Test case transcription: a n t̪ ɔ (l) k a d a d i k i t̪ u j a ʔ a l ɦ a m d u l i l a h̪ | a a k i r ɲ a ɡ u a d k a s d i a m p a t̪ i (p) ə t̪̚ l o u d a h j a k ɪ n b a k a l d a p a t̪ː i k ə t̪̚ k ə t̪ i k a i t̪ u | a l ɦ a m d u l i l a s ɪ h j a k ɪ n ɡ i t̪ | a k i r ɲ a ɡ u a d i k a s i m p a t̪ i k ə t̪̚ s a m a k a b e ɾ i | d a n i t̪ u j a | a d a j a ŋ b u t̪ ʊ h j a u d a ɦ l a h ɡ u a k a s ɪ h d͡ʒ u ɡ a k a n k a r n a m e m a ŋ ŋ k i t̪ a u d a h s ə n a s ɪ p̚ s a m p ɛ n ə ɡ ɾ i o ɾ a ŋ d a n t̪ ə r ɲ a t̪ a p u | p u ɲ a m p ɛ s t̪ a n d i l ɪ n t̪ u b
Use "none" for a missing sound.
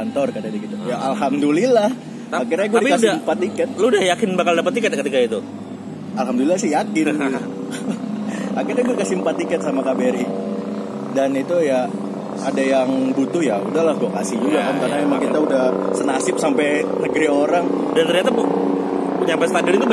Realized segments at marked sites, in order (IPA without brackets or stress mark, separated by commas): r, k